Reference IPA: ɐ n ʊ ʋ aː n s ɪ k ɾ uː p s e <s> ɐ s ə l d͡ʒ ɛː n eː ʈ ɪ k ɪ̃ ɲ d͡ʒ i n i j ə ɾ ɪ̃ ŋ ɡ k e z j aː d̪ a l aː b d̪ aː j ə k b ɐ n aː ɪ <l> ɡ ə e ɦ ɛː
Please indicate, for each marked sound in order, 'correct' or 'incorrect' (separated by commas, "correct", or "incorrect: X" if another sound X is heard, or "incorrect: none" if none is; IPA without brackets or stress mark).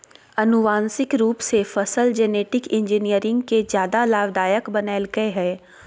incorrect: f, correct